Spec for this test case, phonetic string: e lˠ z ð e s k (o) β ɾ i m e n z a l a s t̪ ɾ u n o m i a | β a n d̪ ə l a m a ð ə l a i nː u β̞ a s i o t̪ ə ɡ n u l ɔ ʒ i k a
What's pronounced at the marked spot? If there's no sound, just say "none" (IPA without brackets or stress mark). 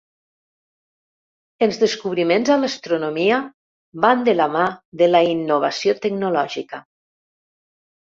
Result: u